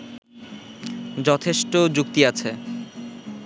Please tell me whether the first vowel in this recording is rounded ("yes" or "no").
yes